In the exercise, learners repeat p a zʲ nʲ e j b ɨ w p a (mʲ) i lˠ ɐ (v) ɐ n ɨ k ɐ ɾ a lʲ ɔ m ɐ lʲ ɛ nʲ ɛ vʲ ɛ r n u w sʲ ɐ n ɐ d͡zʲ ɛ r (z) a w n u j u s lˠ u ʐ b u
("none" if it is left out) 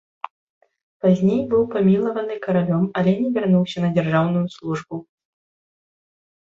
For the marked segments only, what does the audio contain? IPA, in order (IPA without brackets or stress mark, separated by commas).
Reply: mʲ, v, ʐ